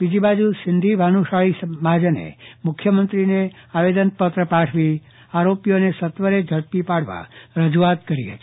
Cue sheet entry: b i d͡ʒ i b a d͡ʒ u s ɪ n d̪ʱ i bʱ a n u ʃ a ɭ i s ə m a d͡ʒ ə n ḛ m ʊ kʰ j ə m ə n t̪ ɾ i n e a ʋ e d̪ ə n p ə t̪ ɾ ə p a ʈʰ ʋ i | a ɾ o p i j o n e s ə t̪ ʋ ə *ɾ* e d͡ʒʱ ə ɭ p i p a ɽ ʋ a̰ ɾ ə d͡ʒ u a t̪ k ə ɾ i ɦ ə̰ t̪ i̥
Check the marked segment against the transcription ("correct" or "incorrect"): correct